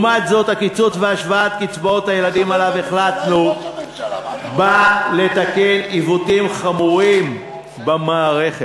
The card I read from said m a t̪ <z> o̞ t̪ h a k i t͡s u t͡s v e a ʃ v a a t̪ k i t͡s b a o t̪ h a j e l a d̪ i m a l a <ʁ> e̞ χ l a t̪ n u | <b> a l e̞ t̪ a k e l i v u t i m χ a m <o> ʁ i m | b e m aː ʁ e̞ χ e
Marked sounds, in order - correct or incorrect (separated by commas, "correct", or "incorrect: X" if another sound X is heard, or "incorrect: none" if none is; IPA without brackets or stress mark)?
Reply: correct, incorrect: v, correct, incorrect: u